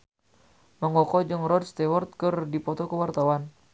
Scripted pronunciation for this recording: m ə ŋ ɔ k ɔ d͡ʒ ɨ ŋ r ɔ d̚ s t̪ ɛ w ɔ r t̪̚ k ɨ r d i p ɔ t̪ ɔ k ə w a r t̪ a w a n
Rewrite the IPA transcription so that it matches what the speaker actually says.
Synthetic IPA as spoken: m ə ŋ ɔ k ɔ d͡ʒ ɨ ŋ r ɔ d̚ s t̪ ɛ w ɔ r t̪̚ k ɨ r d i p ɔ t̪ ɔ k ə w a r t̪ a w a n